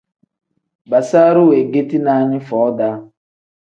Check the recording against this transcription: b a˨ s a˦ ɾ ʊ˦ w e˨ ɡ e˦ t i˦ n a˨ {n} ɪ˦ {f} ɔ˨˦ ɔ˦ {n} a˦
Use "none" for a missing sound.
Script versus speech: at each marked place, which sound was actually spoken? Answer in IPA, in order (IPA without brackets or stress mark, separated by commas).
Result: ɲ, f, d